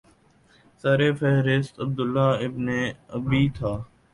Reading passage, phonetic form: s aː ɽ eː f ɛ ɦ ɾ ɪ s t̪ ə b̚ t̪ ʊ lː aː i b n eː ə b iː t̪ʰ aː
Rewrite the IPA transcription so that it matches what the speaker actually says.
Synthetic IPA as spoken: s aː ɾ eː f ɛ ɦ ɾ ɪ s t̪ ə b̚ d̪ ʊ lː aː ɪ b n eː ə b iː t̪ʰ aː